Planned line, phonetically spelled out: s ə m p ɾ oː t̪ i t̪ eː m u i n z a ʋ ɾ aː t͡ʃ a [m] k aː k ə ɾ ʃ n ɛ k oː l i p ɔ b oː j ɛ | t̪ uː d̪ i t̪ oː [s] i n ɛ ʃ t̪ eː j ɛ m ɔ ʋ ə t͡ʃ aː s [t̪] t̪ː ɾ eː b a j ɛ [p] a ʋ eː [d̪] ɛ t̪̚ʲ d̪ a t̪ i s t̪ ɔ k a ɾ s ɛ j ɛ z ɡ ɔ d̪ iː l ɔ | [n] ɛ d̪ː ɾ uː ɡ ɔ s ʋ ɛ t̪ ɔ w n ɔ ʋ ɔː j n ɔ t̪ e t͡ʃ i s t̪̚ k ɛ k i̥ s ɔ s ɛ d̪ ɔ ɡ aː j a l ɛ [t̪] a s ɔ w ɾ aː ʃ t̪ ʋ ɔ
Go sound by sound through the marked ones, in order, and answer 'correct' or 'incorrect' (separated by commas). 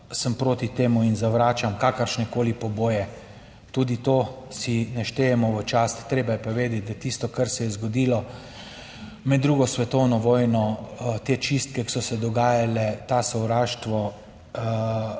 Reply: correct, correct, correct, correct, correct, incorrect, correct